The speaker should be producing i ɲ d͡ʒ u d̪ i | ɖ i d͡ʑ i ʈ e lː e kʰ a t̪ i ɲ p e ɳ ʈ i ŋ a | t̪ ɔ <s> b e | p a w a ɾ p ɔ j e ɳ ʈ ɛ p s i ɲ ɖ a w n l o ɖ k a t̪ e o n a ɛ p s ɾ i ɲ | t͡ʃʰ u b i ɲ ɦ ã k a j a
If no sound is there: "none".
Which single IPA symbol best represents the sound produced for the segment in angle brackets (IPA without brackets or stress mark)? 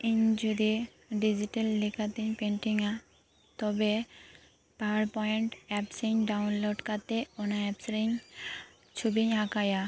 none